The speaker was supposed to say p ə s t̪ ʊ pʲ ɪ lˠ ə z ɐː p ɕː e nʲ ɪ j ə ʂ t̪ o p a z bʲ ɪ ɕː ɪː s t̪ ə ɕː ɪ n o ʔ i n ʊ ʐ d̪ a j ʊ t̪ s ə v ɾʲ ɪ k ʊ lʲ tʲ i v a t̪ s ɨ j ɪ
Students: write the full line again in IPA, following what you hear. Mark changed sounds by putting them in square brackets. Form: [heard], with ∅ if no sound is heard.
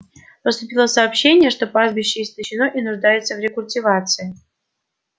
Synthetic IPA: p ə s t̪ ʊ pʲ [i] lˠ ə [s] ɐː p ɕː e nʲ ɪ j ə ʂ t̪ o p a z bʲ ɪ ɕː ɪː s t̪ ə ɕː ɪ n o ʔ i n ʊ ʐ d̪ a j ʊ t̪ s ə v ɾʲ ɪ k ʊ lʲ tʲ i v a t̪ s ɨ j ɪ